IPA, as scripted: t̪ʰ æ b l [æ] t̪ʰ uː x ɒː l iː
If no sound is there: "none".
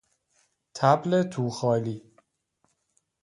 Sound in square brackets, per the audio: e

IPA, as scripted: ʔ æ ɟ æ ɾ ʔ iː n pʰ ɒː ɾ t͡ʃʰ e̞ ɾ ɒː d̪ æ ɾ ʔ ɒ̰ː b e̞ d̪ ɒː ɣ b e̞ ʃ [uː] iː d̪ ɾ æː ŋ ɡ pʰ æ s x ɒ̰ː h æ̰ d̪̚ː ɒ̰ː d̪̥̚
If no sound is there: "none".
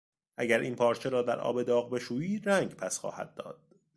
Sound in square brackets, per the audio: uː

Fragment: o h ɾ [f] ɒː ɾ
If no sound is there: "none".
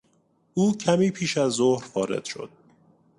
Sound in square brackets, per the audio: f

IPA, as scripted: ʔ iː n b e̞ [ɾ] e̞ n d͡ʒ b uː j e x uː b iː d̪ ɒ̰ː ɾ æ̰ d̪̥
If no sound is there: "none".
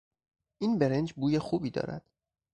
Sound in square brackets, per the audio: ɾ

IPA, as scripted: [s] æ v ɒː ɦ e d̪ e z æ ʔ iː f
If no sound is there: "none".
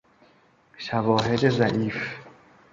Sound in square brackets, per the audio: ʃ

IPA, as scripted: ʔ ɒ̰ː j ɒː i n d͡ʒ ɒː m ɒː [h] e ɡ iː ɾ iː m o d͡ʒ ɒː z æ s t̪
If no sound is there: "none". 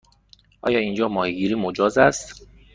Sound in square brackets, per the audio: h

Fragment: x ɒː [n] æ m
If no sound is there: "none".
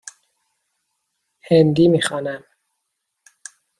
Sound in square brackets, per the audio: n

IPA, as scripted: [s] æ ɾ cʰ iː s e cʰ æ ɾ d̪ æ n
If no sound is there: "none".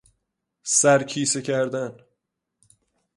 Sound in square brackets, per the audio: s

